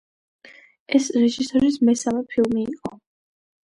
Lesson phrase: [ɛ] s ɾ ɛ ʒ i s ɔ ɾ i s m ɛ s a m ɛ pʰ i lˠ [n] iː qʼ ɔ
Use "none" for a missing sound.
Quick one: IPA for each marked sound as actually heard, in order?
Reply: ɛ, m

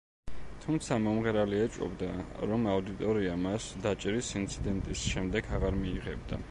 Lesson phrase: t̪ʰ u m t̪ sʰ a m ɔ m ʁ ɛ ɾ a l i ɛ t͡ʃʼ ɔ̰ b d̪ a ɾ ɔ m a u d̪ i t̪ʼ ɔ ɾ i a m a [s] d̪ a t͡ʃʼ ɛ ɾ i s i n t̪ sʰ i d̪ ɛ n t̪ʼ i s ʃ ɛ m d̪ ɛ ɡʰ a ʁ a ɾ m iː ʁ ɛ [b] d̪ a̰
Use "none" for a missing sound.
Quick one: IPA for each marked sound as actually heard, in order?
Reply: s, b

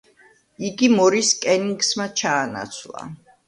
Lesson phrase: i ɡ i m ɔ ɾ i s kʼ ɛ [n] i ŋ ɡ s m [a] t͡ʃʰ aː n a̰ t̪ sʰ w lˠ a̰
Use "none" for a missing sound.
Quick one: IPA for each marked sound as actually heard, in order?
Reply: n, a

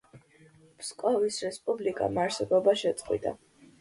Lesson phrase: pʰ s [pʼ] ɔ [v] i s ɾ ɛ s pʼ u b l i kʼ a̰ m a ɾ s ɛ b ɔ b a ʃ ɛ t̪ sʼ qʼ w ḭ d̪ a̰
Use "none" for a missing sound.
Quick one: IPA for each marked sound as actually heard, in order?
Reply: kʼ, v

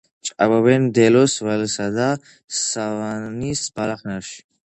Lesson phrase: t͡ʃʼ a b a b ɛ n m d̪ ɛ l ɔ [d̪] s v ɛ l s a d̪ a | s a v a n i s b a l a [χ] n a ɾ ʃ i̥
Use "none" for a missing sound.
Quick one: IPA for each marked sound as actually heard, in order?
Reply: none, χ

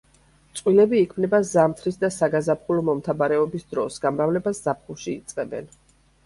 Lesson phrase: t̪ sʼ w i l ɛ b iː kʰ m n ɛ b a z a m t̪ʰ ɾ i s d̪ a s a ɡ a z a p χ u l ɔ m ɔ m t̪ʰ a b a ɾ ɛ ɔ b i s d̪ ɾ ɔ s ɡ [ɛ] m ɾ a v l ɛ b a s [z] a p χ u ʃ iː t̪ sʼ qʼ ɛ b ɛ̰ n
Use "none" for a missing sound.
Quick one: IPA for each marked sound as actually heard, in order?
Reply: a, z

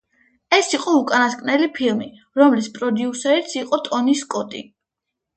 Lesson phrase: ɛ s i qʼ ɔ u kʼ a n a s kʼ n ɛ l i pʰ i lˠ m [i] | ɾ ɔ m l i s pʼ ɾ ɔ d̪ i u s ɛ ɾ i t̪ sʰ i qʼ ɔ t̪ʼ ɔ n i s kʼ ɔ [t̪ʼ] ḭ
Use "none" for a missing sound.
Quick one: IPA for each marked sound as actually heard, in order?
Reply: i, t̪ʼ

